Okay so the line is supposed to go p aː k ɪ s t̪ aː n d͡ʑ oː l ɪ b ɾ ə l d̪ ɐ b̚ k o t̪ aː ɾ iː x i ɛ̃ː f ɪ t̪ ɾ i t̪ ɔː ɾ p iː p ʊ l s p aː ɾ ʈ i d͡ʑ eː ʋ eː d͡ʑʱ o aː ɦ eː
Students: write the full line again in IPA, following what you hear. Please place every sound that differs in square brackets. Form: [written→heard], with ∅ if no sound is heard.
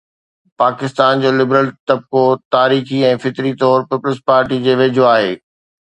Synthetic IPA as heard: p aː k ɪ s t̪ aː n d͡ʑ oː l ɪ b ɾ ə l [d̪→t̪] ɐ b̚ k o t̪ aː ɾ iː x i ɛ̃ː f ɪ t̪ ɾ i t̪ ɔː ɾ p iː p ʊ l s p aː ɾ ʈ i d͡ʑ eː ʋ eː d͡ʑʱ o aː ɦ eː

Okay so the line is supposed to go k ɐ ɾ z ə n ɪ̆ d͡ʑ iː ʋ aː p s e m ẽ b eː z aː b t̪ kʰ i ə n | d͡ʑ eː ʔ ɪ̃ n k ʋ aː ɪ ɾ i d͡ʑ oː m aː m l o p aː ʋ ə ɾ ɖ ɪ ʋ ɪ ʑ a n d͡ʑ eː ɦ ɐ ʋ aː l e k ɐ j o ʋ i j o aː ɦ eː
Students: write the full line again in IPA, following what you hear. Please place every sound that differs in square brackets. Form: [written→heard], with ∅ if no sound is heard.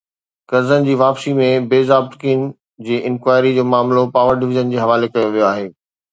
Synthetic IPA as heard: k ɐ ɾ z ə n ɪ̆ d͡ʑ iː ʋ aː p s [e→i] m ẽ b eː z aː b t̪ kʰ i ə n | d͡ʑ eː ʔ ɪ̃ n k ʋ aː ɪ ɾ i d͡ʑ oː m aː m l o p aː ʋ ə ɾ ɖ ɪ ʋ ɪ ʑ [a→ə] n d͡ʑ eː ɦ ɐ ʋ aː l e k ɐ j o ʋ i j o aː ɦ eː

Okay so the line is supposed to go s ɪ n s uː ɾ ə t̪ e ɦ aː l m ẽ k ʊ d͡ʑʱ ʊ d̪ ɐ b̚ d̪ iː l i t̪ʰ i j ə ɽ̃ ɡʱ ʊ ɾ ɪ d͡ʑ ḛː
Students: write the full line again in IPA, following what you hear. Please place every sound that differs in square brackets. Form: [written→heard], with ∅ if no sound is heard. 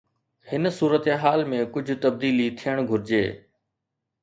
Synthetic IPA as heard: [s→h] ɪ n s uː ɾ ə t̪ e ɦ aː l m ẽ k ʊ d͡ʑʱ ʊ [d̪→t̪] ɐ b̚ d̪ iː l i t̪ʰ i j ə ɽ̃ ɡʱ ʊ ɾ ɪ d͡ʑ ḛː

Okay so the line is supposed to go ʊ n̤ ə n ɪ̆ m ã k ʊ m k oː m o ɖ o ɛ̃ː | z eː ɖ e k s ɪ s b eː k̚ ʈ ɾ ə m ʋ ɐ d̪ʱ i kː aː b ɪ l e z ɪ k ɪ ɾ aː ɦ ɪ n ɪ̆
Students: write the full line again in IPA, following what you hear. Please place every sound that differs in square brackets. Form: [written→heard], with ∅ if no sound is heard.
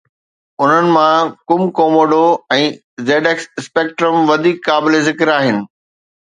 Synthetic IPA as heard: ʊ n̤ ə n ɪ̆ m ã k ʊ m k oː m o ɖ o ɛ̃ː | z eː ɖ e k s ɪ s [b→p] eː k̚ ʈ ɾ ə m ʋ ɐ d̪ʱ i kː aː b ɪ l e z ɪ k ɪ ɾ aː ɦ ɪ n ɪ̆

